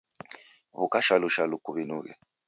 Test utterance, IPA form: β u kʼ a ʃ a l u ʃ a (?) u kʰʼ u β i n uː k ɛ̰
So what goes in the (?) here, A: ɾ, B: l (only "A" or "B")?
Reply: B